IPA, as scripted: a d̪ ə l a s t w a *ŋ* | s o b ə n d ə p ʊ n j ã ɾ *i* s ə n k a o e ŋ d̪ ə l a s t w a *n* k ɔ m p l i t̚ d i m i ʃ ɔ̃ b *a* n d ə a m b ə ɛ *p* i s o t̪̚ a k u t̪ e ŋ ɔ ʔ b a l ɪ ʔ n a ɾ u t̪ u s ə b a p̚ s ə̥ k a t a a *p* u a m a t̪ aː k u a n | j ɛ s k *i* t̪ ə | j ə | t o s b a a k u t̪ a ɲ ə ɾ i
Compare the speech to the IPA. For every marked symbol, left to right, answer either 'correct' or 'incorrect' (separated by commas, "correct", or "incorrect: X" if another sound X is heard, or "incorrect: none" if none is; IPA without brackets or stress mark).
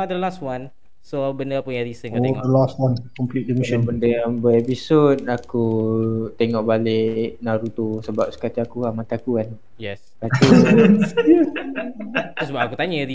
incorrect: n, correct, correct, incorrect: ə, correct, incorrect: k, incorrect: a